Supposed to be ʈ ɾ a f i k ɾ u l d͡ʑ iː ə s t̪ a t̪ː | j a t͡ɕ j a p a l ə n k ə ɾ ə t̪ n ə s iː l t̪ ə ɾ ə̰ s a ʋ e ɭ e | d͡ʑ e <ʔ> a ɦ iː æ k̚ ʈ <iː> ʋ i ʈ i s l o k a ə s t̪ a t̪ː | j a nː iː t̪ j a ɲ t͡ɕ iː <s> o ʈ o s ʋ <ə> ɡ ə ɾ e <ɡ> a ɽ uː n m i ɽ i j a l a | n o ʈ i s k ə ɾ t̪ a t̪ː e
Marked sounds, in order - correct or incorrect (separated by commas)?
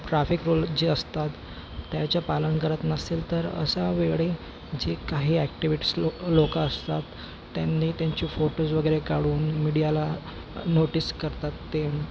incorrect, incorrect, incorrect, correct, incorrect